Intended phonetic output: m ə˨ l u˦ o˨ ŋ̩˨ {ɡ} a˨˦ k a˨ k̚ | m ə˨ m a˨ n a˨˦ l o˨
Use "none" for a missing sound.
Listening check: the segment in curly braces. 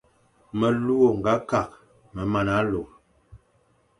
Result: ɡ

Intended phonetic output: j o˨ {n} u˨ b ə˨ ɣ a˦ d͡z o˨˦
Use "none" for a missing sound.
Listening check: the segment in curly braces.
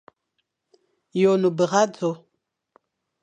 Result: n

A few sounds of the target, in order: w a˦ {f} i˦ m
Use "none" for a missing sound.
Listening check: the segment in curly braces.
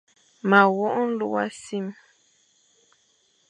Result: s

